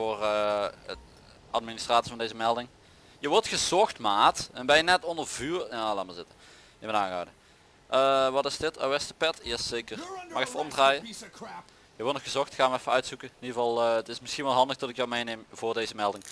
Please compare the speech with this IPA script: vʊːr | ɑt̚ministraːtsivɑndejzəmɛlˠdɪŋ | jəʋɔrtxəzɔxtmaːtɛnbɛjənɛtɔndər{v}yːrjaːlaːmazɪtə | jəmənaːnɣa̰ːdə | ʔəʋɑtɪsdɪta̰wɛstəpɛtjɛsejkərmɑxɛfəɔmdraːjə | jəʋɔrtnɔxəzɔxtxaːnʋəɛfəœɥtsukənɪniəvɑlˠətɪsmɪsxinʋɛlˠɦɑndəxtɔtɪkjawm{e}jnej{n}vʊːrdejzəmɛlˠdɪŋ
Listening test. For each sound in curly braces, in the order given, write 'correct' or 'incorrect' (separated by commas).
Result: correct, correct, incorrect